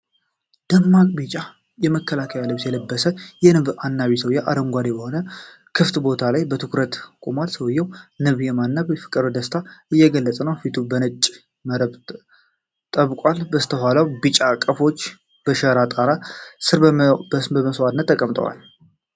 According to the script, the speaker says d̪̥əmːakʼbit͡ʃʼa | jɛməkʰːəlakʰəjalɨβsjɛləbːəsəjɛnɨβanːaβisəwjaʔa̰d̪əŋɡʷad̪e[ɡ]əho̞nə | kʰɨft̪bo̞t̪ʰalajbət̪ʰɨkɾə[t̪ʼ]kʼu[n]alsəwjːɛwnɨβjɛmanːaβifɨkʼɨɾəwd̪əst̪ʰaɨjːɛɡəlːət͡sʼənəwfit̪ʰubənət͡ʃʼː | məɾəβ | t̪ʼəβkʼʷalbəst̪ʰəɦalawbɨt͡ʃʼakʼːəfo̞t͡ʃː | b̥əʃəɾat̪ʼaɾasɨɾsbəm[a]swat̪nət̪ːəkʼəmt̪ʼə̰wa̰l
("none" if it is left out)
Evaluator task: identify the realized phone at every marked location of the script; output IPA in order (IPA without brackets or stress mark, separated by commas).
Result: b, t̪, m, ə